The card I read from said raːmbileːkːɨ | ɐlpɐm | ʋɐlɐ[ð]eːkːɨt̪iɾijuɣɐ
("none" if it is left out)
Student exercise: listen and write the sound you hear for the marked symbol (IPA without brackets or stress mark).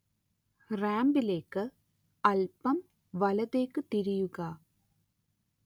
ð